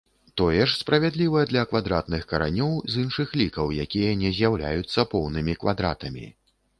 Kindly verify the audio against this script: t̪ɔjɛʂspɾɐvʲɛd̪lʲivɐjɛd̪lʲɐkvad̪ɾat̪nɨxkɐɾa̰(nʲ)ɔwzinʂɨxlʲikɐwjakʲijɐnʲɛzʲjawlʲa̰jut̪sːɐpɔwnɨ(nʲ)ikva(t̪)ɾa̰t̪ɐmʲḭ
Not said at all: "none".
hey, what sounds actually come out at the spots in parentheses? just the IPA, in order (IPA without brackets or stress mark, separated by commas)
nʲ, mʲ, d̪